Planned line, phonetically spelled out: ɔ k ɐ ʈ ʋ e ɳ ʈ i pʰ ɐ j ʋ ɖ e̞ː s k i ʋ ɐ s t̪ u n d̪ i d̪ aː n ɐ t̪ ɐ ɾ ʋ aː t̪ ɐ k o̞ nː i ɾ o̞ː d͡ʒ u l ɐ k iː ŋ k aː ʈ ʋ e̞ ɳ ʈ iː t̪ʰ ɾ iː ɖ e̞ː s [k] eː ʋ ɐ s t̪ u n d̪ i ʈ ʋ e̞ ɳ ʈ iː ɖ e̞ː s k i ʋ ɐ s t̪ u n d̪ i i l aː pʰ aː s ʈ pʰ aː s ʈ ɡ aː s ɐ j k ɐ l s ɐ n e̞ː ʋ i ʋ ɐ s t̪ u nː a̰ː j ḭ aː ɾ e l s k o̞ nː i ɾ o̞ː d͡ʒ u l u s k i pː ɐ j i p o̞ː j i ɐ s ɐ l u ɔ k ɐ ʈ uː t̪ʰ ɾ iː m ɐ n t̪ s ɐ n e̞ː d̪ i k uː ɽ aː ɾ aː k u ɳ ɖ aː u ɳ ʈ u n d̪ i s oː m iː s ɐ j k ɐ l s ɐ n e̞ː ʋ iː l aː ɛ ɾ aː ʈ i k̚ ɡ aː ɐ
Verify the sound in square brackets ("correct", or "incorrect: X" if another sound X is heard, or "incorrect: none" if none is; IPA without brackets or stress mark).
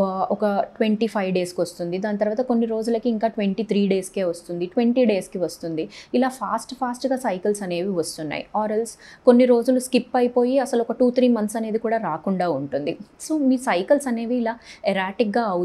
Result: correct